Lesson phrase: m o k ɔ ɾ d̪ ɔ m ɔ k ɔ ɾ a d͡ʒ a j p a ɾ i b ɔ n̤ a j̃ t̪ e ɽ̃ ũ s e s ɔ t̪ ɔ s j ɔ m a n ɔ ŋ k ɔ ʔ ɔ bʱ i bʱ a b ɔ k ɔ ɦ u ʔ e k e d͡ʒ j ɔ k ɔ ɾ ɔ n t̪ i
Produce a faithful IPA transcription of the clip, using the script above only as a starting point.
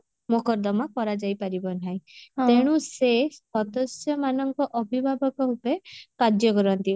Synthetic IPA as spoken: m o k ɔ ɾ d̪ ɔ m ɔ k ɔ ɾ a d͡ʒ a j p a ɾ i b ɔ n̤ a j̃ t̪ e ɽ̃ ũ s e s ɔ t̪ ɔ s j ɔ m a n ɔ ŋ k ɔ ʔ ɔ bʱ i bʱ a b ɔ k ɔ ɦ u p e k a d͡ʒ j ɔ k ɔ ɾ ɔ n t̪ i